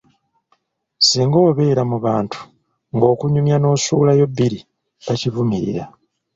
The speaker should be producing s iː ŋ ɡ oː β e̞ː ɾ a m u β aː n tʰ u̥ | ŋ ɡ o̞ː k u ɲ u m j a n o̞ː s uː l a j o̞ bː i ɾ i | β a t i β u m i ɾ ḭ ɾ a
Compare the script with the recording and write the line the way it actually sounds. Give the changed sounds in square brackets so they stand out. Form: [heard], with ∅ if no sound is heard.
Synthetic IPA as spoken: s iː ŋ ɡ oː β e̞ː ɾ a m u β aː n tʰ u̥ | ŋ ɡ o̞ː k u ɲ u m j a n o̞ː s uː l a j o̞ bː i ɾ i | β a [c] i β u m i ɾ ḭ ɾ a